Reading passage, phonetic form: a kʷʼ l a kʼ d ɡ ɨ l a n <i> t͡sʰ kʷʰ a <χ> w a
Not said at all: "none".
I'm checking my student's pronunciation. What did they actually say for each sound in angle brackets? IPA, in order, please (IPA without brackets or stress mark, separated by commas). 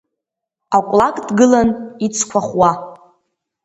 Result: i, χ